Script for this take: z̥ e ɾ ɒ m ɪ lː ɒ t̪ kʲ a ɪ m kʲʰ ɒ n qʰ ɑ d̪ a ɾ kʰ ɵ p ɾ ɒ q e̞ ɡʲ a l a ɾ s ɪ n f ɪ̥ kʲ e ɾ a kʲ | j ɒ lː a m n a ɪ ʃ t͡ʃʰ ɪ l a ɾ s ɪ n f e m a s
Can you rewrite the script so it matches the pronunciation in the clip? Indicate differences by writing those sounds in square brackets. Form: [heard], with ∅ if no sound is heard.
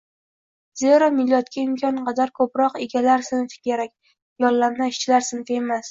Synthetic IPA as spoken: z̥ e ɾ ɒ m ɪ lː ɒ t̪ kʲ a ɪ m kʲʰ ɒ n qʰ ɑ d̪ a ɾ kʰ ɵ p ɾ ɒ q e̞ ɡʲ a l a ɾ s ɪ n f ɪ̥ kʲ e ɾ a kʲ | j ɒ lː a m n a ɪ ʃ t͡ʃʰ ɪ l a ɾ s ɪ n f e m a s